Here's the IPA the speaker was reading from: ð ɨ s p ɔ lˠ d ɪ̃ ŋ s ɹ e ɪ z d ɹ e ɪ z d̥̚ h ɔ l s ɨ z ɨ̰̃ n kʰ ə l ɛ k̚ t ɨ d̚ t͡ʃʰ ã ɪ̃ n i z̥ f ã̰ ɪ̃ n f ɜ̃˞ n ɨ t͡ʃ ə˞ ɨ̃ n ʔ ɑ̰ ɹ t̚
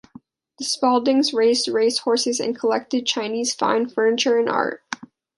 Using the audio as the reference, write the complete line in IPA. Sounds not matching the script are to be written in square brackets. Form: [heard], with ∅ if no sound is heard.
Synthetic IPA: ð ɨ s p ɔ lˠ d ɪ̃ ŋ [z] ɹ e ɪ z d ɹ e ɪ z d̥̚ h ɔ [ɹ] s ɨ z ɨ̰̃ n kʰ ə l ɛ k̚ t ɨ d̚ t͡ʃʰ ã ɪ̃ n i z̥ f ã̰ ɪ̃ n f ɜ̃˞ n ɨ t͡ʃ ə˞ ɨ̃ n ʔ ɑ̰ ɹ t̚

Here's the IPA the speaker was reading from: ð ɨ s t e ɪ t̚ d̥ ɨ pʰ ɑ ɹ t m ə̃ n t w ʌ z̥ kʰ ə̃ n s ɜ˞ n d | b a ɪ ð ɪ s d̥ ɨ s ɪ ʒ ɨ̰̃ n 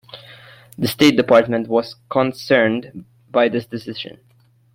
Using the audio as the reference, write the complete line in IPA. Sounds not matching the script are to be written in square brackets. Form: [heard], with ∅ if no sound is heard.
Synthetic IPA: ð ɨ s t e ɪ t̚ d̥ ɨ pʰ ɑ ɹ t m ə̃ n t w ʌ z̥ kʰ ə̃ n s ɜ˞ n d | b a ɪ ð ɪ s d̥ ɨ s ɪ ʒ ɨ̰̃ n

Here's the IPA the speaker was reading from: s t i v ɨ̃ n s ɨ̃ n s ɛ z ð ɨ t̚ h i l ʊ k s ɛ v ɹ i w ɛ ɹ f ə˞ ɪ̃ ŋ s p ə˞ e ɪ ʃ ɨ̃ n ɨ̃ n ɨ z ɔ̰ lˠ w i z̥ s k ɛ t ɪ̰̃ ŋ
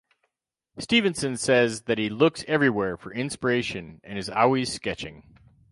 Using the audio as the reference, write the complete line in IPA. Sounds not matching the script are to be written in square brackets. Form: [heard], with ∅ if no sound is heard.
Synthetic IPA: s t i v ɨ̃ n s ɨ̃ n s ɛ z ð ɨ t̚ h i l ʊ k s ɛ v ɹ i w ɛ ɹ f ə˞ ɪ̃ [n] s p ə˞ e ɪ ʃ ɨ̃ n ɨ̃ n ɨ z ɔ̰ lˠ w i z̥ s k ɛ [t͡ʃ] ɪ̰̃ ŋ

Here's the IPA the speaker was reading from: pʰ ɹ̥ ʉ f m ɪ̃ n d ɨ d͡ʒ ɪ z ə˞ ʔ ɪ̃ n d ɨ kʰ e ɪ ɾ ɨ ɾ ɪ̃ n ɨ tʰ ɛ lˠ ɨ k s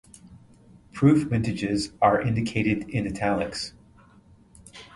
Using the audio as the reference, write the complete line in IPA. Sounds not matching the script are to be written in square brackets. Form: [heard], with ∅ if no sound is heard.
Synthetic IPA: pʰ ɹ̥ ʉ f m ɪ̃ n [t] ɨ d͡ʒ ɪ z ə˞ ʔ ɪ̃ n d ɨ kʰ e ɪ ɾ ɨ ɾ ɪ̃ n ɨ tʰ [æ] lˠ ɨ k s

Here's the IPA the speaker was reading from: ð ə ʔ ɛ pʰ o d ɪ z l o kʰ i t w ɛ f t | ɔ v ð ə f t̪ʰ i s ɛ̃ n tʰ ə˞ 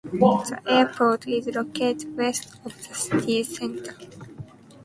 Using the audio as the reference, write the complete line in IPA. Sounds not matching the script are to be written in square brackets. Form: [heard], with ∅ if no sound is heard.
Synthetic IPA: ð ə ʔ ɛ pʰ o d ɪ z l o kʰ [e] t w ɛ [s] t | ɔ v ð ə [s] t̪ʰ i s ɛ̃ n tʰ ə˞

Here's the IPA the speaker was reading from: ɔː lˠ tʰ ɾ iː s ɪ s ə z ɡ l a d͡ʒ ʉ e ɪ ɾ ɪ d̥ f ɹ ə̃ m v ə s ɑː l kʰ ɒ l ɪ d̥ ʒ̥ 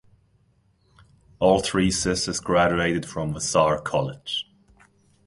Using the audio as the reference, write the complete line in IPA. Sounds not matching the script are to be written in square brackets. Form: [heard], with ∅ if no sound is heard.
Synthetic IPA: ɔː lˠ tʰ [ɹ] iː s ɪ s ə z ɡ [ɹ] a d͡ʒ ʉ e ɪ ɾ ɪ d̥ f ɹ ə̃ m v ə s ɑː [ɹ] kʰ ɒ l ɪ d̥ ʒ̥

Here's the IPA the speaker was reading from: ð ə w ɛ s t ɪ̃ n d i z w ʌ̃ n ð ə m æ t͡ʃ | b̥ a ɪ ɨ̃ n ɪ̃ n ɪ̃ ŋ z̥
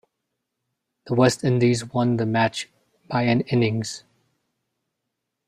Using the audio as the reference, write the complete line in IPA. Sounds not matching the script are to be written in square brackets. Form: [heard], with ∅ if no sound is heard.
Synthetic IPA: ð ə w ɛ s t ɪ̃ n d i z w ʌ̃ n ð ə m æ t͡ʃ | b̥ a ɪ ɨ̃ n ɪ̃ n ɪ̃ ŋ z̥

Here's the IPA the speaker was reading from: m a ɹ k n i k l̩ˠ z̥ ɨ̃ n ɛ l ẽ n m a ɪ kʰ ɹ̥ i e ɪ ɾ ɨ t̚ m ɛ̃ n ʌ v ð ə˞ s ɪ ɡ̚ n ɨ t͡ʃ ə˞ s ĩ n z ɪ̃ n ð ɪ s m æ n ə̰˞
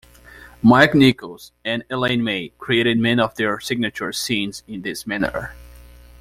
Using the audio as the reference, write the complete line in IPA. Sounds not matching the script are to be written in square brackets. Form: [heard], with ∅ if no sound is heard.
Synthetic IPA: m a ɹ k n i k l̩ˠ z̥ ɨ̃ n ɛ l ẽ n m [e] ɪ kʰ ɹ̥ i e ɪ ɾ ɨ [d̚] m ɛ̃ n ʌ v ð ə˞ s ɪ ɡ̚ n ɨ t͡ʃ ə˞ s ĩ n z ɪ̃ n ð ɪ s m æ n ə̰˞

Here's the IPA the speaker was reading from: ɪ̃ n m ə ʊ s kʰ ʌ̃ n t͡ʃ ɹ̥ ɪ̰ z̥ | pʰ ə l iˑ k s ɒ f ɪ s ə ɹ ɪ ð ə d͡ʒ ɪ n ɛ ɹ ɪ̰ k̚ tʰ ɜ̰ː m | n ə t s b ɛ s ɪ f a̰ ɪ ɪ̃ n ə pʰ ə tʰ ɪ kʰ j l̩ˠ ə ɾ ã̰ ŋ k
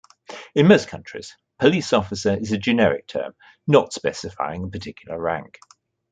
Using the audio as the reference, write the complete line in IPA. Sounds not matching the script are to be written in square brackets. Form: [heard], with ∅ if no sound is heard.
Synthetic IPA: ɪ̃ n m ə ʊ s kʰ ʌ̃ n t͡ʃ ɹ̥ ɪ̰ z̥ | pʰ ə l iˑ [∅] s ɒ f ɪ s ə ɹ ɪ [z] ə d͡ʒ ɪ n ɛ ɹ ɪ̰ k̚ tʰ ɜ̰ː m | n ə t s [p] ɛ s ɪ f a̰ ɪ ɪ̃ [ŋ] ə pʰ ə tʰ ɪ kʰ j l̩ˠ ə [ɹ] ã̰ ŋ k

